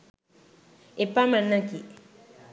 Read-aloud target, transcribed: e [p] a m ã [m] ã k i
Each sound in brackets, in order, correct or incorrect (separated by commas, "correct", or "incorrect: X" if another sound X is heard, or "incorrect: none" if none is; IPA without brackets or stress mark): correct, incorrect: n